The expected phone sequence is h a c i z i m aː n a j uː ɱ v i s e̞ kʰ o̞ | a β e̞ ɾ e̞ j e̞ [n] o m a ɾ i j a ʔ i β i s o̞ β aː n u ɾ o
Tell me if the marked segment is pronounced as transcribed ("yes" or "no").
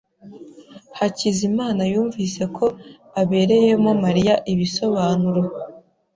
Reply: no